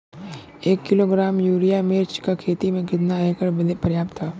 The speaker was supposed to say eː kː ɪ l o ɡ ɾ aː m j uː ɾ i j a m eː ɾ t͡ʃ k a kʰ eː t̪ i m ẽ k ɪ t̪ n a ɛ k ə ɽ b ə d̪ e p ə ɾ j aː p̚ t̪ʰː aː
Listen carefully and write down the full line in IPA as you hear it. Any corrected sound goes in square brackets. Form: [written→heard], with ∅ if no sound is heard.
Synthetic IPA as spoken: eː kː ɪ l o ɡ ɾ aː m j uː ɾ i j a m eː ɾ t͡ʃ k a kʰ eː t̪ i m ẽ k ɪ t̪ n a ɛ k ə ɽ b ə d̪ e p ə ɾ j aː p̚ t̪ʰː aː